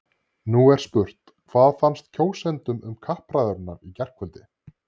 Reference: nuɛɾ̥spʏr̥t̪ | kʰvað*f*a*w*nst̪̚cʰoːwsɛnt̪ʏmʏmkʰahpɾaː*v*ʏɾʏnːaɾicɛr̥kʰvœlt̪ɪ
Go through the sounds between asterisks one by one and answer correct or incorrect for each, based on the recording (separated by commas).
correct, incorrect, incorrect